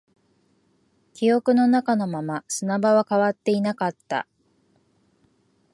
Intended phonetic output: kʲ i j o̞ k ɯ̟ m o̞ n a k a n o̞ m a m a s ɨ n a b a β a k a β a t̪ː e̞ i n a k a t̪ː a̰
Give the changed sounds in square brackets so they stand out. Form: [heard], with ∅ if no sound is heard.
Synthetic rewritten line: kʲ i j o̞ k ɯ̟ [n] o̞ n a k a n o̞ m a m a s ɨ n a b a β a k a β a t̪ː e̞ i n a k a t̪ː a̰

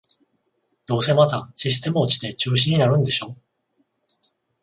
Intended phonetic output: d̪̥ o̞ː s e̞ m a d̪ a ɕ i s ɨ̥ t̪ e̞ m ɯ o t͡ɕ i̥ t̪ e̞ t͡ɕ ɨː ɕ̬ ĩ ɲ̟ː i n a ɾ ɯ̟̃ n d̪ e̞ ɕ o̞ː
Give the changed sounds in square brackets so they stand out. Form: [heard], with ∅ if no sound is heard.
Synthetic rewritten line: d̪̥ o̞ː s e̞ m a [t̪] a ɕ i s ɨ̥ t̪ e̞ m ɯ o t͡ɕ i̥ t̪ e̞ t͡ɕ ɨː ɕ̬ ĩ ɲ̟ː i n a ɾ ɯ̟̃ n d̪ e̞ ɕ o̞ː

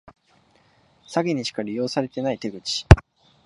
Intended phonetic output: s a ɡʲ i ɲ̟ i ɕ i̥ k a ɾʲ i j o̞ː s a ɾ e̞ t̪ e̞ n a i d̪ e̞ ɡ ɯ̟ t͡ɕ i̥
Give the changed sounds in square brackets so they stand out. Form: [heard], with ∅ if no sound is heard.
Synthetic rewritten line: s a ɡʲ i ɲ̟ i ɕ i̥ k a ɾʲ i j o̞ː s a ɾ e̞ t̪ e̞ n a i [t̪] e̞ ɡ ɯ̟ t͡ɕ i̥

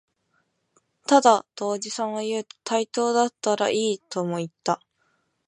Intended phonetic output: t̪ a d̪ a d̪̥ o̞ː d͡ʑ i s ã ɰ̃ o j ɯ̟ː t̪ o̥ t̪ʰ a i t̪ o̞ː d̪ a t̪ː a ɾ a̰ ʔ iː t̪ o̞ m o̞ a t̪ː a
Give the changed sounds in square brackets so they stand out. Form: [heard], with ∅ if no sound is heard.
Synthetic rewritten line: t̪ a d̪ a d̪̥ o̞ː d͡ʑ i s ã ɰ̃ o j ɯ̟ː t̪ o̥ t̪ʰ a i t̪ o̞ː d̪ a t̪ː a ɾ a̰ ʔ iː t̪ o̞ m o̞ [i] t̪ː a

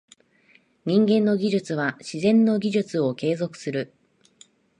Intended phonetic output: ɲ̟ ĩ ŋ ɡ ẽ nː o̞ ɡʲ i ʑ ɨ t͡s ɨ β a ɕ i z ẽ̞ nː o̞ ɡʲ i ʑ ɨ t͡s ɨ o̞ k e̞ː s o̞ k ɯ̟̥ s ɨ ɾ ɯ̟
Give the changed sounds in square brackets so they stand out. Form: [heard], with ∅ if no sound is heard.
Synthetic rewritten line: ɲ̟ ĩ ŋ ɡ ẽ nː o̞ ɡʲ i ʑ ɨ t͡s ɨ β a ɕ i z ẽ̞ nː o̞ ɡʲ i ʑ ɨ t͡s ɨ o̞ k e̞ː [z] o̞ k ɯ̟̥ s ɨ ɾ ɯ̟

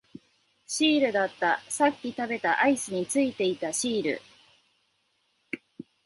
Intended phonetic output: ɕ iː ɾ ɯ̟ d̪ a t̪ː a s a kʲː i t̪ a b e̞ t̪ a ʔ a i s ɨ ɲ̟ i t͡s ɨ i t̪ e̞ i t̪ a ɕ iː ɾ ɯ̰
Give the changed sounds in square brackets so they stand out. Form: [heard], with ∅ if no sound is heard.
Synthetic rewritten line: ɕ iː ɾ ɯ̟ d̪ a t̪ː a s a kʲː i t̪ a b e̞ t̪ a ʔ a i s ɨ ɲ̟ i t͡s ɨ i t̪ e̞ i t̪ a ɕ iː ɾ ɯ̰

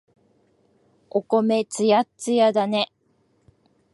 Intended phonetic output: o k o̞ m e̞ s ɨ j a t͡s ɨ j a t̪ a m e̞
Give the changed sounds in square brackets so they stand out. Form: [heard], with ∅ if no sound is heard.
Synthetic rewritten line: o k o̞ m e̞ [t͡s] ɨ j a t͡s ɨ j a [d̪] a [n] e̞

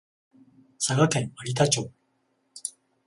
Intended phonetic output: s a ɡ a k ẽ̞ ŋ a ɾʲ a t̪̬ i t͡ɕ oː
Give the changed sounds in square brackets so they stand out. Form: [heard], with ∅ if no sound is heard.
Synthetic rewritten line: s a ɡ a k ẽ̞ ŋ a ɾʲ [i] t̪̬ [a] t͡ɕ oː

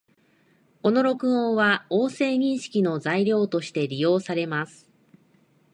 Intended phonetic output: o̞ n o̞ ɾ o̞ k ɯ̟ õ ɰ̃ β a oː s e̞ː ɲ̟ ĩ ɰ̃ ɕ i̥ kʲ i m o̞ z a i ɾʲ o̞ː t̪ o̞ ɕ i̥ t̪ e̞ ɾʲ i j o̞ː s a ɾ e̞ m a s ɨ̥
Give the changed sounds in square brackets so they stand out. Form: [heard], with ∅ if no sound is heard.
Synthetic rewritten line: o̞ n o̞ ɾ o̞ k ɯ̟ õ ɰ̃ β a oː s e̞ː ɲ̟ ĩ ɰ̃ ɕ i̥ kʲ i [n] o̞ z a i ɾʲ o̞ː t̪ o̞ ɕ i̥ t̪ e̞ ɾʲ i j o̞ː s a ɾ e̞ m a s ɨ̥

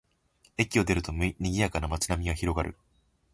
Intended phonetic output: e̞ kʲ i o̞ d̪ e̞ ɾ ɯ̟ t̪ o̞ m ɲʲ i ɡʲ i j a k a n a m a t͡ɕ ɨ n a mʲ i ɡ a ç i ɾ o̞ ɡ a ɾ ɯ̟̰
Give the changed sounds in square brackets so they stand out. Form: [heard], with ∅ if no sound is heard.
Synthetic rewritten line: e̞ kʲ i o̞ d̪ e̞ ɾ ɯ̟ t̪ o̞ m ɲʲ i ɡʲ i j a k a n a m a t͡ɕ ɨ n a mʲ i ɡ a ç i ɾ o̞ ɡ a ɾ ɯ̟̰

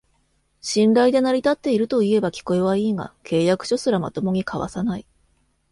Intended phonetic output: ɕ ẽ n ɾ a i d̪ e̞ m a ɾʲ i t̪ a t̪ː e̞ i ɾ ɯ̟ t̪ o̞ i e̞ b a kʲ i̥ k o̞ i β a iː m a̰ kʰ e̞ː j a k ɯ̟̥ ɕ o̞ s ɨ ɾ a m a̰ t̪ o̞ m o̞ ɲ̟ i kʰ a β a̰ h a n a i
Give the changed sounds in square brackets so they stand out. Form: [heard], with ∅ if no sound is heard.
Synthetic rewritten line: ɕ [ĩ] n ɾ a i d̪ e̞ [n] a ɾʲ i t̪ a t̪ː e̞ i ɾ ɯ̟ t̪ o̞ i e̞ b a kʲ i̥ k o̞ [e] β a iː [ŋ] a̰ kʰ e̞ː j a k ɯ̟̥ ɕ o̞ s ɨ ɾ a m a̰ t̪ o̞ m o̞ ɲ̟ i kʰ a β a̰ [s] a n a i

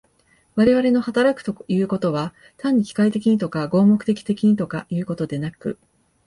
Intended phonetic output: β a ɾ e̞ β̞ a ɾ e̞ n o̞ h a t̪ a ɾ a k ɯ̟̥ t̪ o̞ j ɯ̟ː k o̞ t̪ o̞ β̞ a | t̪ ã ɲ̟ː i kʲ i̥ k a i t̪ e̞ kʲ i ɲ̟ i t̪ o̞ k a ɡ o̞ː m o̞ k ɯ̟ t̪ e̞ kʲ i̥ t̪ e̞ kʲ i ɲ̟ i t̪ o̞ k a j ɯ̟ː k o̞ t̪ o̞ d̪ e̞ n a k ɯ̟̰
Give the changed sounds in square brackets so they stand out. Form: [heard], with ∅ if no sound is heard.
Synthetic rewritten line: β a ɾ e̞ β̞ a ɾ e̞ n o̞ h a t̪ a ɾ a k ɯ̟̥ t̪ o̞ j ɯ̟ː k o̞ t̪ o̞ β̞ a | t̪ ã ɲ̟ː i kʲ i̥ k a i t̪ e̞ kʲ i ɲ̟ i t̪ o̞ k a ɡ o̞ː m o̞ k ɯ̟ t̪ e̞ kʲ i̥ t̪ e̞ kʲ i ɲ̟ i t̪ o̞ k a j ɯ̟ː k o̞ t̪ o̞ d̪ e̞ n a k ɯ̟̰

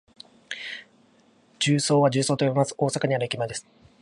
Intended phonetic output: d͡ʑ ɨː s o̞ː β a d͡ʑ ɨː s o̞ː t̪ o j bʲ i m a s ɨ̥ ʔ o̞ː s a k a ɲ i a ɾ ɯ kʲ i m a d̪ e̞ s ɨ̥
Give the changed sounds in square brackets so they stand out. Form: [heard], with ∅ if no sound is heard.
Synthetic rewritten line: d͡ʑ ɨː s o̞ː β a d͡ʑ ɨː s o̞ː t̪ o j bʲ i m a s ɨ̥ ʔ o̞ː s a k a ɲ i a ɾ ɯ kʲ i m a d̪ e̞ s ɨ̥

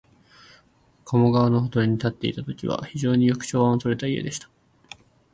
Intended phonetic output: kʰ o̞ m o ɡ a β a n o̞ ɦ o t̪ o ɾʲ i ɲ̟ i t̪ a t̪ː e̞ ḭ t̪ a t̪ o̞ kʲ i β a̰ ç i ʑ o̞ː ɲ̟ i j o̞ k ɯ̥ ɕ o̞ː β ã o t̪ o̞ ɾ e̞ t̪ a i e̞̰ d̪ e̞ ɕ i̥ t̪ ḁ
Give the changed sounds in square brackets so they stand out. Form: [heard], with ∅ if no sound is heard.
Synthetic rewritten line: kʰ o̞ m o ɡ a β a n o̞ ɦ o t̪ o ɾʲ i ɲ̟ i t̪ a t̪ː e̞ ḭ t̪ a t̪ o̞ kʲ i β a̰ ç i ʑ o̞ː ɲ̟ i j o̞ k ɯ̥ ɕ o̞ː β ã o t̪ o̞ ɾ e̞ t̪ a i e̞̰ d̪ e̞ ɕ i̥ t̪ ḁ

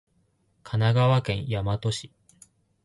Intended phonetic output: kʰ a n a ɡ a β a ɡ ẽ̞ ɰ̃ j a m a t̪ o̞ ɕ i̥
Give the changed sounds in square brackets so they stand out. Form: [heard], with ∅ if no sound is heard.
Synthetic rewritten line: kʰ a n a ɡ a β a [k] ẽ̞ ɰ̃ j a m a t̪ o̞ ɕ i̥

